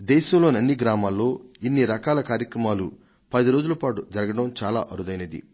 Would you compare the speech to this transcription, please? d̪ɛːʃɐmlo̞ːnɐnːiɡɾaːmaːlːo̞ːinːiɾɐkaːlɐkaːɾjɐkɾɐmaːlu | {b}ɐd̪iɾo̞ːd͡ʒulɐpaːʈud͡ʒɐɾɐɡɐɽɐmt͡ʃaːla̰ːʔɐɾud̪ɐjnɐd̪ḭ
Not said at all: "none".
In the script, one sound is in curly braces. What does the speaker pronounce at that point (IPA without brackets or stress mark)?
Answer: p